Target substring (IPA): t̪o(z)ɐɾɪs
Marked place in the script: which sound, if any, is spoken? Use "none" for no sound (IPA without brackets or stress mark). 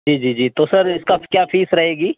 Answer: s